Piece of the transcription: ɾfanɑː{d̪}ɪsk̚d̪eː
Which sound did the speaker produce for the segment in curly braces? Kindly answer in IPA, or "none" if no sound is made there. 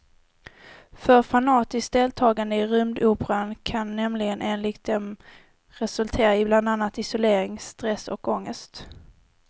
t̪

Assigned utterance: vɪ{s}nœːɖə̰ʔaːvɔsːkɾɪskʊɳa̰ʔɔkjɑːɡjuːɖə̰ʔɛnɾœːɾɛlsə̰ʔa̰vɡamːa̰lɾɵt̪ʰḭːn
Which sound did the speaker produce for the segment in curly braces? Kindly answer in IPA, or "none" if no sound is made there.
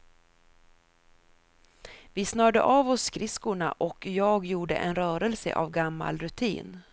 s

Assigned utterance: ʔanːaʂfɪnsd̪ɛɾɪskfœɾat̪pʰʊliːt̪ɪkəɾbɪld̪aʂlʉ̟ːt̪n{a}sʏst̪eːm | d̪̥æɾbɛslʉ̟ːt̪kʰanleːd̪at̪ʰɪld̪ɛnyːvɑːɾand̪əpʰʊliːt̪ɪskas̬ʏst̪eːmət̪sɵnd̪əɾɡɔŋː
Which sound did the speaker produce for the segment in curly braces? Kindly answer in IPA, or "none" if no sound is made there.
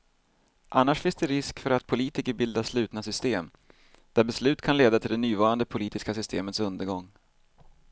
a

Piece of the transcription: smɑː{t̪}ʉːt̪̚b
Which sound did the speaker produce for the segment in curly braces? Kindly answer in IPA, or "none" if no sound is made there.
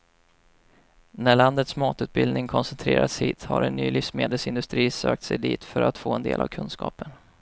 t̪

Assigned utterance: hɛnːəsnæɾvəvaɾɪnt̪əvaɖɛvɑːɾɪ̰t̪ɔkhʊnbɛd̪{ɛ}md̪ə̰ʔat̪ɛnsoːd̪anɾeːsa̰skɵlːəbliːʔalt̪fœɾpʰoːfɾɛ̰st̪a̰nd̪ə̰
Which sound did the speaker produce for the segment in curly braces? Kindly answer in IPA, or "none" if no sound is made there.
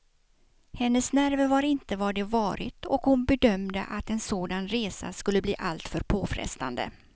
œ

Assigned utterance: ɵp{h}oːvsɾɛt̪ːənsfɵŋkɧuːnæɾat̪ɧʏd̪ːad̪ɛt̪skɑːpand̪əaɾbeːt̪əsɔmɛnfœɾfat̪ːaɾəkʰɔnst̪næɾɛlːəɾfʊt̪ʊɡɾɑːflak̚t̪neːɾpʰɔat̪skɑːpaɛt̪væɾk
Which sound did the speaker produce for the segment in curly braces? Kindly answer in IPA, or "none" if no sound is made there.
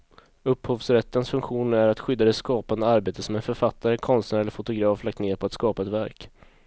h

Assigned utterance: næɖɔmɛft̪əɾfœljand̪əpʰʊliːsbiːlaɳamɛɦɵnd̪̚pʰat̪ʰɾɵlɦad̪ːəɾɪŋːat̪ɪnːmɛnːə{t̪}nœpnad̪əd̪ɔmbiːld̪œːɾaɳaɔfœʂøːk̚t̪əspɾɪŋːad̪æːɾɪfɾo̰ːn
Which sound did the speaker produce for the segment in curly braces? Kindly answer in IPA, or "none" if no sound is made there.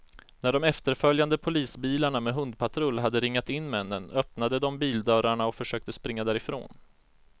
none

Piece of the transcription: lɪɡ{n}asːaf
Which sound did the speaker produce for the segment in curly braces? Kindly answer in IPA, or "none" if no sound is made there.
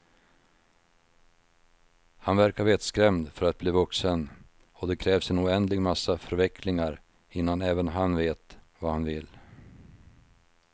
m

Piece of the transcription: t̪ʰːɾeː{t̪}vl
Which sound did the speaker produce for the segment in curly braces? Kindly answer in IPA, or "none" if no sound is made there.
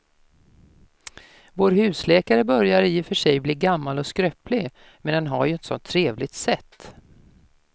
none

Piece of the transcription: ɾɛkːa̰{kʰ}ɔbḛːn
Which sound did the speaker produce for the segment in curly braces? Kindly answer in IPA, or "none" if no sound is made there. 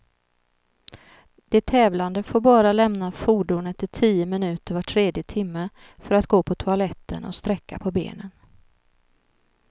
pʰ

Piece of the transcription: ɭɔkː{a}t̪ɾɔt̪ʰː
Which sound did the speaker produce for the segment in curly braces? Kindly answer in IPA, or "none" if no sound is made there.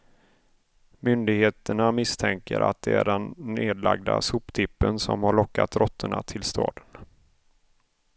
a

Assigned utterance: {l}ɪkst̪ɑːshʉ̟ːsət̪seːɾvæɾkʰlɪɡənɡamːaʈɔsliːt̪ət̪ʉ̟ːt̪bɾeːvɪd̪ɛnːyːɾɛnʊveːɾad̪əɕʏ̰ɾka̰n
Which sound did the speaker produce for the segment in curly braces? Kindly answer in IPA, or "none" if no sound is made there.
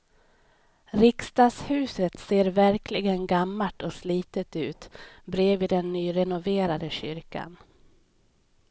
ɾ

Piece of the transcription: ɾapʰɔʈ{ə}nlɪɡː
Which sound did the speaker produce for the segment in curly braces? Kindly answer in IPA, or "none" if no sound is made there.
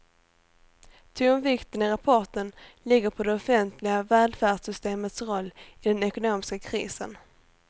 ə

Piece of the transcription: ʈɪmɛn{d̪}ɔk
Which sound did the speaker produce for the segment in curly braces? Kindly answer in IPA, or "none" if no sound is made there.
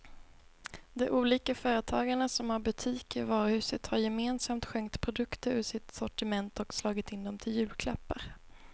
t̪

